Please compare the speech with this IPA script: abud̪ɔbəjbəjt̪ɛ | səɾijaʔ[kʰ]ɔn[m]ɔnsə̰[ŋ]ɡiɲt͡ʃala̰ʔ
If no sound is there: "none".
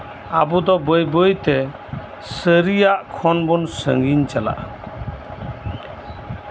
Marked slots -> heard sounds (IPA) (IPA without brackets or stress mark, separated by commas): kʰ, b, ŋ